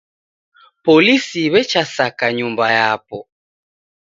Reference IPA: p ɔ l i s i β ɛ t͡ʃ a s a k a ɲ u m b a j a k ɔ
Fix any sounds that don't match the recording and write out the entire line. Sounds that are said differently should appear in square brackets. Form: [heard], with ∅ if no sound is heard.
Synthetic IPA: p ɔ l i s i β ɛ t͡ʃ a s a k a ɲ u m b a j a [p] ɔ